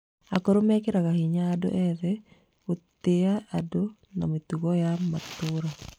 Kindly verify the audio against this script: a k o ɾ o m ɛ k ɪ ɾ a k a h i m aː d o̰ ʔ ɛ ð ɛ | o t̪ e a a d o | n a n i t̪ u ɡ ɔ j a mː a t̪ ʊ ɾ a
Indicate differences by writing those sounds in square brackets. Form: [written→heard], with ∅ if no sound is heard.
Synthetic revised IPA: a k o ɾ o m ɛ k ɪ ɾ a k a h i [m→ɲ] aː d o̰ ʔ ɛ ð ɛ | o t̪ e a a d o | n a [n→m] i t̪ u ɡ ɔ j a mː a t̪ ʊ ɾ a